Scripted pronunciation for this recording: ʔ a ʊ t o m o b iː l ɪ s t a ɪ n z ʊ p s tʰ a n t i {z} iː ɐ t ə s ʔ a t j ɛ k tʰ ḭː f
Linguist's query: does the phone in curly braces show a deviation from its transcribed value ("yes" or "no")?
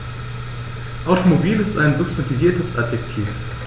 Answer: yes